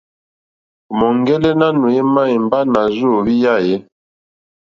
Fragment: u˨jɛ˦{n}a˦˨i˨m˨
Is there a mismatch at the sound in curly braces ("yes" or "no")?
yes